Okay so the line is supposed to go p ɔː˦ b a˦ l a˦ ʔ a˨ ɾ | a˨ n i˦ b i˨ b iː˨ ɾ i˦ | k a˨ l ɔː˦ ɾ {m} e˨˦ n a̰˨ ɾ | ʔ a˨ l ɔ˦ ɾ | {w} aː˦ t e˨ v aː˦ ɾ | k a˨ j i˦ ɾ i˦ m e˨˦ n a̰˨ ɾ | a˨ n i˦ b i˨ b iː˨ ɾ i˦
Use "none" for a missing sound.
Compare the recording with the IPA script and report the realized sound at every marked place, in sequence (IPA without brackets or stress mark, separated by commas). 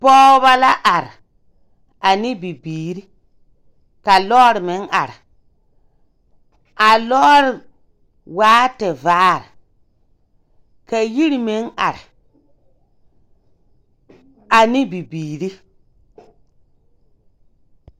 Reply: m, w